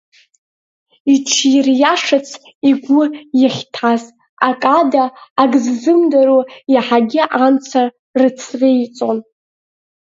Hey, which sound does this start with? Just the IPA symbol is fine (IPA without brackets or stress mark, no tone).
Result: i